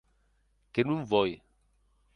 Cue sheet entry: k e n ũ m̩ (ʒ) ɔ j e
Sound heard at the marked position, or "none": v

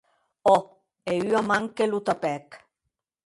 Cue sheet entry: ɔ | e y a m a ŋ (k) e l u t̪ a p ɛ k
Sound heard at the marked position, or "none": k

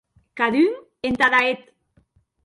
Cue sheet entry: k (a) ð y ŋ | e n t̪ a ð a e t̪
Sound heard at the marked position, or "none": a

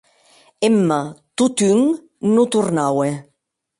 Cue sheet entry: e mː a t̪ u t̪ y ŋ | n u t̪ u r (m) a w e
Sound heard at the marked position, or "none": n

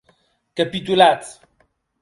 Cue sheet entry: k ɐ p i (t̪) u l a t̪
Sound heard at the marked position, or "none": t̪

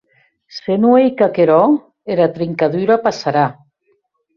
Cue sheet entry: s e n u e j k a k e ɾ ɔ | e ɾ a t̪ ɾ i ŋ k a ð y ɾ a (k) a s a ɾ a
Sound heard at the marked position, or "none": p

